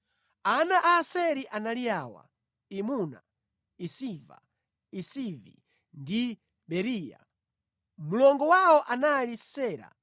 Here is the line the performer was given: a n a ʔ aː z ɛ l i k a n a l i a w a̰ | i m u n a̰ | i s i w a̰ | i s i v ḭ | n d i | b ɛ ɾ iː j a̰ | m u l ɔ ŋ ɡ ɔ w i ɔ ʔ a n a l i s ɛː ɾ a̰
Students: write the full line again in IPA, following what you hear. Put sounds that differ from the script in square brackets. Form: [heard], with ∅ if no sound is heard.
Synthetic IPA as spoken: a n a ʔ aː [s] ɛ [ɾ] i [ʔ] a n a l i a w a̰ | i m u n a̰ | i s i [v] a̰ | i s i v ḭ | n d i | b ɛ ɾ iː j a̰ | m u l ɔ ŋ ɡ ɔ w [a] ɔ ʔ a n a l i s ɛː ɾ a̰